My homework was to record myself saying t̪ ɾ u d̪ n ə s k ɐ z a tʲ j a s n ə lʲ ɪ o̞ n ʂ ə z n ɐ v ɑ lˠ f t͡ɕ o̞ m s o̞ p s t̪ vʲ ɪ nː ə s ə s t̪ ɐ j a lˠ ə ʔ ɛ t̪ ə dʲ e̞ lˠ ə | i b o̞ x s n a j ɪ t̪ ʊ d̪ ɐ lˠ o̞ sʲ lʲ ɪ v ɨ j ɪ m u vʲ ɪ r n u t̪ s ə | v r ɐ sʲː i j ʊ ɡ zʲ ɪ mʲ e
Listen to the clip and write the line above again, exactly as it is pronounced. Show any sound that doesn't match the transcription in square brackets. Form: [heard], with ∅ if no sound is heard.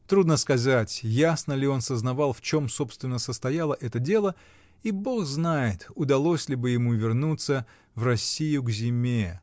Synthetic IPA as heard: t̪ ɾ u d̪ n ə s k ɐ z a tʲ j a s n ə lʲ ɪ o̞ n [s] ə z n ɐ v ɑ lˠ f t͡ɕ o̞ m s o̞ p s t̪ vʲ ɪ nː ə s ə s t̪ ɐ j a lˠ ə ʔ ɛ t̪ ə dʲ e̞ lˠ ə | i b o̞ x [z] n a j ɪ t̪ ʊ d̪ ɐ lˠ o̞ sʲ lʲ ɪ [b] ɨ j ɪ m u vʲ ɪ r n u t̪ s ə | v r ɐ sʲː i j ʊ ɡ zʲ ɪ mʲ e